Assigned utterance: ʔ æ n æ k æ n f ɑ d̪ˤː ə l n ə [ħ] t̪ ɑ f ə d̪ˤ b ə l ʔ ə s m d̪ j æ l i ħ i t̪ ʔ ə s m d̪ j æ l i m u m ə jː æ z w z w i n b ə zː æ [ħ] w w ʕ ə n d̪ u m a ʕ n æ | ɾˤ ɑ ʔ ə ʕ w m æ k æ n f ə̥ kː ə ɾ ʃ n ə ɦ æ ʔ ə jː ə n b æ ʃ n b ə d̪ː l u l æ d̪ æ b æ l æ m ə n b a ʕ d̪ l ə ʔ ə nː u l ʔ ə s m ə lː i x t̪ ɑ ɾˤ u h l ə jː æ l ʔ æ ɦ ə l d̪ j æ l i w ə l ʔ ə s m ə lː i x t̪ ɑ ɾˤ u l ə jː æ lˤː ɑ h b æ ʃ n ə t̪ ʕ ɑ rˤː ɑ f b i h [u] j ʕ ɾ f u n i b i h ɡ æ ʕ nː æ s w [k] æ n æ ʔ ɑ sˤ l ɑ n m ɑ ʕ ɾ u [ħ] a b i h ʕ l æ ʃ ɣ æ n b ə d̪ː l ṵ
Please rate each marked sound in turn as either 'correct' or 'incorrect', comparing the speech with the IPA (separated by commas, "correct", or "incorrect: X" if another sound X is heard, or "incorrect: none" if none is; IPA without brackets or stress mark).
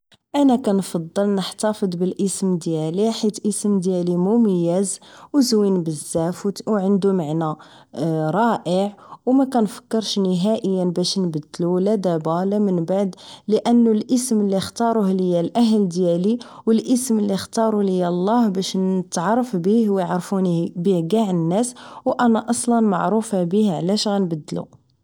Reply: correct, incorrect: f, incorrect: w, incorrect: ʔ, incorrect: f